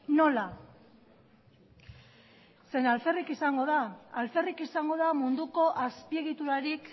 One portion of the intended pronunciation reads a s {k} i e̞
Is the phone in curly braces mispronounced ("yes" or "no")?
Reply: yes